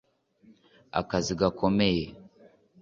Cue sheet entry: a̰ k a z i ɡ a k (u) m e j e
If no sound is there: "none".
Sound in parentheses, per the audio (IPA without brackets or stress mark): o